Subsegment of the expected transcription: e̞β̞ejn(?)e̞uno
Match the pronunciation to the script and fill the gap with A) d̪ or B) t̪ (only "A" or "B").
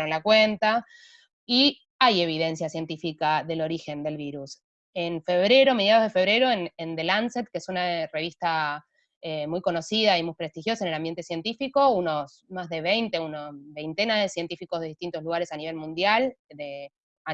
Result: B